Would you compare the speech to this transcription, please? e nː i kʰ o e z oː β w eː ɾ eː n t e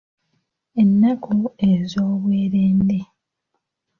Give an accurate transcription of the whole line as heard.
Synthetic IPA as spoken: e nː a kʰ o e z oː β w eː ɾ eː n d e